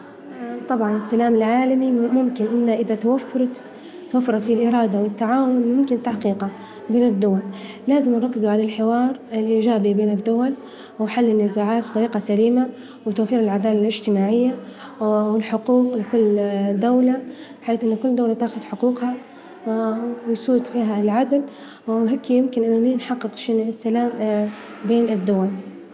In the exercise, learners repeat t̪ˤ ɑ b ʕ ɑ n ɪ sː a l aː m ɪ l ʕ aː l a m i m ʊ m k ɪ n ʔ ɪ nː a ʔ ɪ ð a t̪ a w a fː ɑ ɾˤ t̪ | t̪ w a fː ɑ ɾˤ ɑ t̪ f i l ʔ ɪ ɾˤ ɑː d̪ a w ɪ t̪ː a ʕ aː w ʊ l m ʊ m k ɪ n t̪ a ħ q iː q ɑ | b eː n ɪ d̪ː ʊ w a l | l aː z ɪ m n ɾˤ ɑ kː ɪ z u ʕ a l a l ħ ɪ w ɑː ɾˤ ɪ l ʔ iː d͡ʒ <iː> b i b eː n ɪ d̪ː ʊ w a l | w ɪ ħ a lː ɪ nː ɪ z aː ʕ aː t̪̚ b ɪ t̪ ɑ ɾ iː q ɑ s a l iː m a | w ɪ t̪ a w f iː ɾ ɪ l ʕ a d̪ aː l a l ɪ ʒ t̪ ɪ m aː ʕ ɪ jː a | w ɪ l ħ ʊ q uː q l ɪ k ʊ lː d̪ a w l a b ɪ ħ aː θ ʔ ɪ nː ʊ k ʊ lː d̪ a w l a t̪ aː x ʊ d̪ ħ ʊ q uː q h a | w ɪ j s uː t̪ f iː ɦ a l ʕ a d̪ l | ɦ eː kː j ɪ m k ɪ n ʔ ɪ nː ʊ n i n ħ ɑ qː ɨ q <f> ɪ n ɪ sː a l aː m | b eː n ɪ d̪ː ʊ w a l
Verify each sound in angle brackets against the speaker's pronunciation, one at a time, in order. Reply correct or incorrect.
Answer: incorrect: aː, incorrect: ʃ

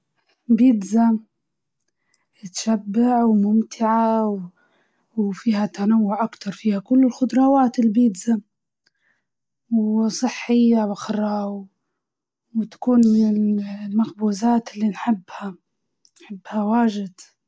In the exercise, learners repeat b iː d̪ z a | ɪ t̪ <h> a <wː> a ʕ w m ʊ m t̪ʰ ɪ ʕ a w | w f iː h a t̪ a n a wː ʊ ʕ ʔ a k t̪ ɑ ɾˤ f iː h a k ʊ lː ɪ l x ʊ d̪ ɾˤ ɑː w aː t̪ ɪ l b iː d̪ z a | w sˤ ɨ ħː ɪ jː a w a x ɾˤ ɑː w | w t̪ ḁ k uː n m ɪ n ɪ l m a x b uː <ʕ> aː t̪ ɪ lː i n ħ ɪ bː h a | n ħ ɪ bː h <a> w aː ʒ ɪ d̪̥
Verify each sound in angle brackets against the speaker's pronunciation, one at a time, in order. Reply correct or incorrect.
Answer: incorrect: ʃ, incorrect: bː, incorrect: z, correct

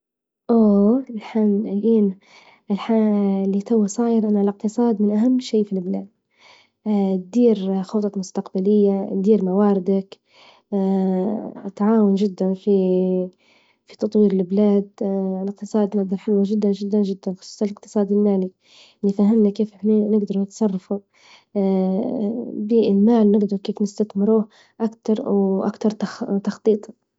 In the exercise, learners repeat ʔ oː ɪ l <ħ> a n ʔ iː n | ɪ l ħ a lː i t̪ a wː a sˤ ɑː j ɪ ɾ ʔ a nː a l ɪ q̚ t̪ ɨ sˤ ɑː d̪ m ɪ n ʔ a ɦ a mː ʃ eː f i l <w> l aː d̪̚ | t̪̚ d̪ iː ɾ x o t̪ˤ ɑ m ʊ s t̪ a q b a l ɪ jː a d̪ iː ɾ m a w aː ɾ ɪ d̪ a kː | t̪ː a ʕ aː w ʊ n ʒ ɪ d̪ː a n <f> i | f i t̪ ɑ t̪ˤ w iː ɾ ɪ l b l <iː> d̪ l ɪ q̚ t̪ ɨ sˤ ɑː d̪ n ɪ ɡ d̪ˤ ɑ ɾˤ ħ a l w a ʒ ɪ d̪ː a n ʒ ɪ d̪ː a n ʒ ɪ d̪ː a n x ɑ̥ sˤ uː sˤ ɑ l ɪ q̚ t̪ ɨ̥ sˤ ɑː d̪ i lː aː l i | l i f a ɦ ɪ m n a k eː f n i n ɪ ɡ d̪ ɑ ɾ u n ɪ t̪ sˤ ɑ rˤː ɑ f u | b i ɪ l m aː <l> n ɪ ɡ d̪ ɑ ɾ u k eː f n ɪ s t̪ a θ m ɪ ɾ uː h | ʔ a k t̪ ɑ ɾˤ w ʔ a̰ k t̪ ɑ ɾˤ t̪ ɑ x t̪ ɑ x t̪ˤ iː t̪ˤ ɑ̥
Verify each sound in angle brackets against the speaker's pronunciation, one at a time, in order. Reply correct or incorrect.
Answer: correct, incorrect: b, correct, incorrect: aː, correct

